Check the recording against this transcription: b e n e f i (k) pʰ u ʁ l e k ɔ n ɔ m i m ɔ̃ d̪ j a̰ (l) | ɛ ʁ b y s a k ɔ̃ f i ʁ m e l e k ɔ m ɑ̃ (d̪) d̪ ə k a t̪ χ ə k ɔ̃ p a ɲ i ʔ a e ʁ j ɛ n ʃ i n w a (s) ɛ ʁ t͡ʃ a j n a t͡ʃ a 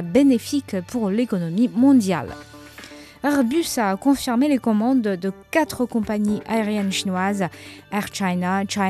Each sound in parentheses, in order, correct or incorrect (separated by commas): correct, correct, correct, incorrect